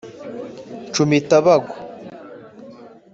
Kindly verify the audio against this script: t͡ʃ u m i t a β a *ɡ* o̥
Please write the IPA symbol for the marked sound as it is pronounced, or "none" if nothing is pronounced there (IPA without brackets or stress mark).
ɡ